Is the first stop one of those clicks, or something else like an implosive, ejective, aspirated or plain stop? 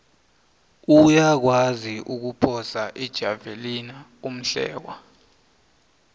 plain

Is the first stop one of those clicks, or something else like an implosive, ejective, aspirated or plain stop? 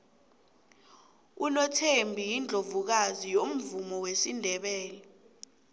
aspirated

